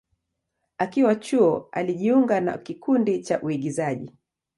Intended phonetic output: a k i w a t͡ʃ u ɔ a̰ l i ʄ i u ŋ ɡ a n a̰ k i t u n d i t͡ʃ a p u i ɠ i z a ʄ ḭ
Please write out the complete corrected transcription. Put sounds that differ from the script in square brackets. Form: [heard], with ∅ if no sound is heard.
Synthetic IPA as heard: a k i w a t͡ʃ u ɔ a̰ l i ʄ i u ŋ ɡ a n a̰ k i [k] u n d i t͡ʃ a [ʔ] u i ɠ i z a ʄ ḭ